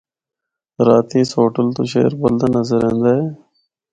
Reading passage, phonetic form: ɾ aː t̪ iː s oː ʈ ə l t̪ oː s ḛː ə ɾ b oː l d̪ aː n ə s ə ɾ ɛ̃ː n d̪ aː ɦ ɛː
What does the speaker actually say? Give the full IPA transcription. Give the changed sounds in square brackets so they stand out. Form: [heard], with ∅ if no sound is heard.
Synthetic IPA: ɾ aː t̪ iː s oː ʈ ə l t̪ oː [ʃ] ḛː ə ɾ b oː l d̪ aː n ə [z] ə ɾ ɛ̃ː n d̪ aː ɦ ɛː